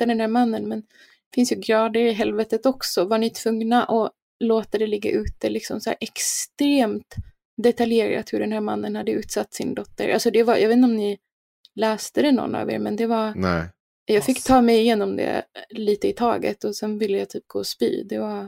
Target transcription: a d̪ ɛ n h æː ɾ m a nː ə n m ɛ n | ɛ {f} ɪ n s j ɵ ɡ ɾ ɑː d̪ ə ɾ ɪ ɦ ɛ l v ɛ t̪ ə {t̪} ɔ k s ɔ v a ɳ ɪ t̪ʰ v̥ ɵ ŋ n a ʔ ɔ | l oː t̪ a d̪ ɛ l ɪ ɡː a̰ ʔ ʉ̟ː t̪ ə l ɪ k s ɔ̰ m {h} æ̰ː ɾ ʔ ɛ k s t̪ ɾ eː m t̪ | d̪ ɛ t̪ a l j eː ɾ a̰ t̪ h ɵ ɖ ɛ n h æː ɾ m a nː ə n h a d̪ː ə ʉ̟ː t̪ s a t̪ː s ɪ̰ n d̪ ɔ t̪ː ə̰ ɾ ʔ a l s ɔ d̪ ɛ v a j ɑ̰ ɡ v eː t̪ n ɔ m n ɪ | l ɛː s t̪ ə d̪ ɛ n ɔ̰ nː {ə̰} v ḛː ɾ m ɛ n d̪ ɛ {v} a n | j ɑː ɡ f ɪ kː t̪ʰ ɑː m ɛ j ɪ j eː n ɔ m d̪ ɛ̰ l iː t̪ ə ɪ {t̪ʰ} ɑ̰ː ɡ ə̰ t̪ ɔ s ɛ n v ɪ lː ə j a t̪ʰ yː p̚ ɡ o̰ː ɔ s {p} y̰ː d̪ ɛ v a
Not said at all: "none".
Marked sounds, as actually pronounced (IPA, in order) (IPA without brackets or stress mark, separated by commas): f, t̪, s, a̰, v, t̪ʰ, p